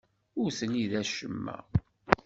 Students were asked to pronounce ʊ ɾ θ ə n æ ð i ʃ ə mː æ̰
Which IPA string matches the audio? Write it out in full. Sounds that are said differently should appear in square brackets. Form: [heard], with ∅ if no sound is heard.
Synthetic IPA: ʊ ɾ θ ə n [i] ð [æ] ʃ ə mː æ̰